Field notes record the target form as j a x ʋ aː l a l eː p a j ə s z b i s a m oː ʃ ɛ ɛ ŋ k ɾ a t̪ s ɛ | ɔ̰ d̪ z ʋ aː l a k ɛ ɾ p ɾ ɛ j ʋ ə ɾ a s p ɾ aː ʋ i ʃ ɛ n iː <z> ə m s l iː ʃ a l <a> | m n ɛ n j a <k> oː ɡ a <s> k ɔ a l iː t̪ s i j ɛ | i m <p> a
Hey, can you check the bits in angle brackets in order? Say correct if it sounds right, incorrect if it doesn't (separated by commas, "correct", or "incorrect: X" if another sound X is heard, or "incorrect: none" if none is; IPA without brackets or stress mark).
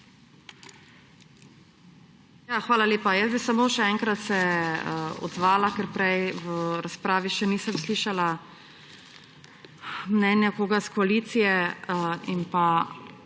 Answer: incorrect: s, correct, correct, correct, correct